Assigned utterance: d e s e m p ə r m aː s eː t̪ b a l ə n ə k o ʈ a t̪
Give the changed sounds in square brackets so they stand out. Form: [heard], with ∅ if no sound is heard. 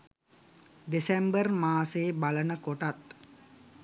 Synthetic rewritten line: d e s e m [b] ə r m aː s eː [∅] b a l ə n ə k o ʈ a t̪